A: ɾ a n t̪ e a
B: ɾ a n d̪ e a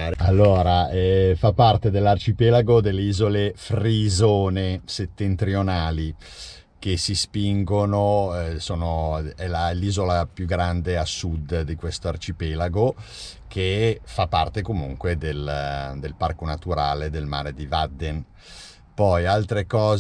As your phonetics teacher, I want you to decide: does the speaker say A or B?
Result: B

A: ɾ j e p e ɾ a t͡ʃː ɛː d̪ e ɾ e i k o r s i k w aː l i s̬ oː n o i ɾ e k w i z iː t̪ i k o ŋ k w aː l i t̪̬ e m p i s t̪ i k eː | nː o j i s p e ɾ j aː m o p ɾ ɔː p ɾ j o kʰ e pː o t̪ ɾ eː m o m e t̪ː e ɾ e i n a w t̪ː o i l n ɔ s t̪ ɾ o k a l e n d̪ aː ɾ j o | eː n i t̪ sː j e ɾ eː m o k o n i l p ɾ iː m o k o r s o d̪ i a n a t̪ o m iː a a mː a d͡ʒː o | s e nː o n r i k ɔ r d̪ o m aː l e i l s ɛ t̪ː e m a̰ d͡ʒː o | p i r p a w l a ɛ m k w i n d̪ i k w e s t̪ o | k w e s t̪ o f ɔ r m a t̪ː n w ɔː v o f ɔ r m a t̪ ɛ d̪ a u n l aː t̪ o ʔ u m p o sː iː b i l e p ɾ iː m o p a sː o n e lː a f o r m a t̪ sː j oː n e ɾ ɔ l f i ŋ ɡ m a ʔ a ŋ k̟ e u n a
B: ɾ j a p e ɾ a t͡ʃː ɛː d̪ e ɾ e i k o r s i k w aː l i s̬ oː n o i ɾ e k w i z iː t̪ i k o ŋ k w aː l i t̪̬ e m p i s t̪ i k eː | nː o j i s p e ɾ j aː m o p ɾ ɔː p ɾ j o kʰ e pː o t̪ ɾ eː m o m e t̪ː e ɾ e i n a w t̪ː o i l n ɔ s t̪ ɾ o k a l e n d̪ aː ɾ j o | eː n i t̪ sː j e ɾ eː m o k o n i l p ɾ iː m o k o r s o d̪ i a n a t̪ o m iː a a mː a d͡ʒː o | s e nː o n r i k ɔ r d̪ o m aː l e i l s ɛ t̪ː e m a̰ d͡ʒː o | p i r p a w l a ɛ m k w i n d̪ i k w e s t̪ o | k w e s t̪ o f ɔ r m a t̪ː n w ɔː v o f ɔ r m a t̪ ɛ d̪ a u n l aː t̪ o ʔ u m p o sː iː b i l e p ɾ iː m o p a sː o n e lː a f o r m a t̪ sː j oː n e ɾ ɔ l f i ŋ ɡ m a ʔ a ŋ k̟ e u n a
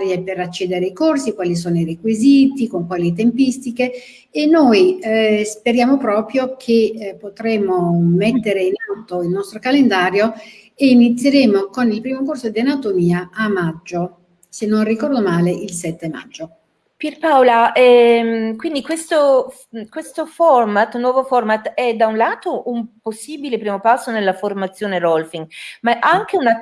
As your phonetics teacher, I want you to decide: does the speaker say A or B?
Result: A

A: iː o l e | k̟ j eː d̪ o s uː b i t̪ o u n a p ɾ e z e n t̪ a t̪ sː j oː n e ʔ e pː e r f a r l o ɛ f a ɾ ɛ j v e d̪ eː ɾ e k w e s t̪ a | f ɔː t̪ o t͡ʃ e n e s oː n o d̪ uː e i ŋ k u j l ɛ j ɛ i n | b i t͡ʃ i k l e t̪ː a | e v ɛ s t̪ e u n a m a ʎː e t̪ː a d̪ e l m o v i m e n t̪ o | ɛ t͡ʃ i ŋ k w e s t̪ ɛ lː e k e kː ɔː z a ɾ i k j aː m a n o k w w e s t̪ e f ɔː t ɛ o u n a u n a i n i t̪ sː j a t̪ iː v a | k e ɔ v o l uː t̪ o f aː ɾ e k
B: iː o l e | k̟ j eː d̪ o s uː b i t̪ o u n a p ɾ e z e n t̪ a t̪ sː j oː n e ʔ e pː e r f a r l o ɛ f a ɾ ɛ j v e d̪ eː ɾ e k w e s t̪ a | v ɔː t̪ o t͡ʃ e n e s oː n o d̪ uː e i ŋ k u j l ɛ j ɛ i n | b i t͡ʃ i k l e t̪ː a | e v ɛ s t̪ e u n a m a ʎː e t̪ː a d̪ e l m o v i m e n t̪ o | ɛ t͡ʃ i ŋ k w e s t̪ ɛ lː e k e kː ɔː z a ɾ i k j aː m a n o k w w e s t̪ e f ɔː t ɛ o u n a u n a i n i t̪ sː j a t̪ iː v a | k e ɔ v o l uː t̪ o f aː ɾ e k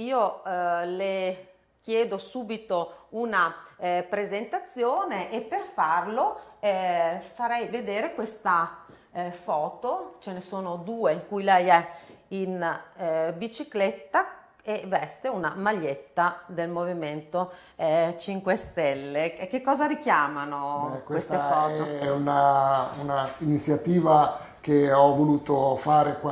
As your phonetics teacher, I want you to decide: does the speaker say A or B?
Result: A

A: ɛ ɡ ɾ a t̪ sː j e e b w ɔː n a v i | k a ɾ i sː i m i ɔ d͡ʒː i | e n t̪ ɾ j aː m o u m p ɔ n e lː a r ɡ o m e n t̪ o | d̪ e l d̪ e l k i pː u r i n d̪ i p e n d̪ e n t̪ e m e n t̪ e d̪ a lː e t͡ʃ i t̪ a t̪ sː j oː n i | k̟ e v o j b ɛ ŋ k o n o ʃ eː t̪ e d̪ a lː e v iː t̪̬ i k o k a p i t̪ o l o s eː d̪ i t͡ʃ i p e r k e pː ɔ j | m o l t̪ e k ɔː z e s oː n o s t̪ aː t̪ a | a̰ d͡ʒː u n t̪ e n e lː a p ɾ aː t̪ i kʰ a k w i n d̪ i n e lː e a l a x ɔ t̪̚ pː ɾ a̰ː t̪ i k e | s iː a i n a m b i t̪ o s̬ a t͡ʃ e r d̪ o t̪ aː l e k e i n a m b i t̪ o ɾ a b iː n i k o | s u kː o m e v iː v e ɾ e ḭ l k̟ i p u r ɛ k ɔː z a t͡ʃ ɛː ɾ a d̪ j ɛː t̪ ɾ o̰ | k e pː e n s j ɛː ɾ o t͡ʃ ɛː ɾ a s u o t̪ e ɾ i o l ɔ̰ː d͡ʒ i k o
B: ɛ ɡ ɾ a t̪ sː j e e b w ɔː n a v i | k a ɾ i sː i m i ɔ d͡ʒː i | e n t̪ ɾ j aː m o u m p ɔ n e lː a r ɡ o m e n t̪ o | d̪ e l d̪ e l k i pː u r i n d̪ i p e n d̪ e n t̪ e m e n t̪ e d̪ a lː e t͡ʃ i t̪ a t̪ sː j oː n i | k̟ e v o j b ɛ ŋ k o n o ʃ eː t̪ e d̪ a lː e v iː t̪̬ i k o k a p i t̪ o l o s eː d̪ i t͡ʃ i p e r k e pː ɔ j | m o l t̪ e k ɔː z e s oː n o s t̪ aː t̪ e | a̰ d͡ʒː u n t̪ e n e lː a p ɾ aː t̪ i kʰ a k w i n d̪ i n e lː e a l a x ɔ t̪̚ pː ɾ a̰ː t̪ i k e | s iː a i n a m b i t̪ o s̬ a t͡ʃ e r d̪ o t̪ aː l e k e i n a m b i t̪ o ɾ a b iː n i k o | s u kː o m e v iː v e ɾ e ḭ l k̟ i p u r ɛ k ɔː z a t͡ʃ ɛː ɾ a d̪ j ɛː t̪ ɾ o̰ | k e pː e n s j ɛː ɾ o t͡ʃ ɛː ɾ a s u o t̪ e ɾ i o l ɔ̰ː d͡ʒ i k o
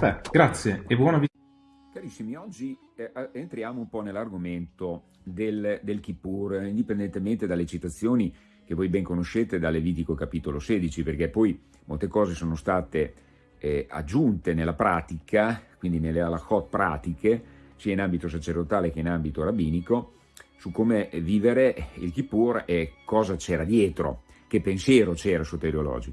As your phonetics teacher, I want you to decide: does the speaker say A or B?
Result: B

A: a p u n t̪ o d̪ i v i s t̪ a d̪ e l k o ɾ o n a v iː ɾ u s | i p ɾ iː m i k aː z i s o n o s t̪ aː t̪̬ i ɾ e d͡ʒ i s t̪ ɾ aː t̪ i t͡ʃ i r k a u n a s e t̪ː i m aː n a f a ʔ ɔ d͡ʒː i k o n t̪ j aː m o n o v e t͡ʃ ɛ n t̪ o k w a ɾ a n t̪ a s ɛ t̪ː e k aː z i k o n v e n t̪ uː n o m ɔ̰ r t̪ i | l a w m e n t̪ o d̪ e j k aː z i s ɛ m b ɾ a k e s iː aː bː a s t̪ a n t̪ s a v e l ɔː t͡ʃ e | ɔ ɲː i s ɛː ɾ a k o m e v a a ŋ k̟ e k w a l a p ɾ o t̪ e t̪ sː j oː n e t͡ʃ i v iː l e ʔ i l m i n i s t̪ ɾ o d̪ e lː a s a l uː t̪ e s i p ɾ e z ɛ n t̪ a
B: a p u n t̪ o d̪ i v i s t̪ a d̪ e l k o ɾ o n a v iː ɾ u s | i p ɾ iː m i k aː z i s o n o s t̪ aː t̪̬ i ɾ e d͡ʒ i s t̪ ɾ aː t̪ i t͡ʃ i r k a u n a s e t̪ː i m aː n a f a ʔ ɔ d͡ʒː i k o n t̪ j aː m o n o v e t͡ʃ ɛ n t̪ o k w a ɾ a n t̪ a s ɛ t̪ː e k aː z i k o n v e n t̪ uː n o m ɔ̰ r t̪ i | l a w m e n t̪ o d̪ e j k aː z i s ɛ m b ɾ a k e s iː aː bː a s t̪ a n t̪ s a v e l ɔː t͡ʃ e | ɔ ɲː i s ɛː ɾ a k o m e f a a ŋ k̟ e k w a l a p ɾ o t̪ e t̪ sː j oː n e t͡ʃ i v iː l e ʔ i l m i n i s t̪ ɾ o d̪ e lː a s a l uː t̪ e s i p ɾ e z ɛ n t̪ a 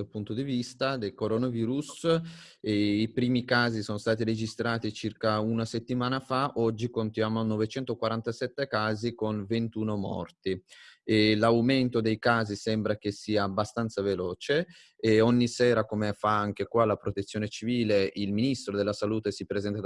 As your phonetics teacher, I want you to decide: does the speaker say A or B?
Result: B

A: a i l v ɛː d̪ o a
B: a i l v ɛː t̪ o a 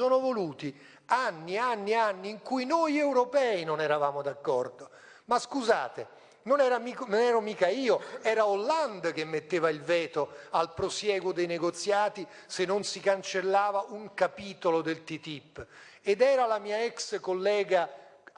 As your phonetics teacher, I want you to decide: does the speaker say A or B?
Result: B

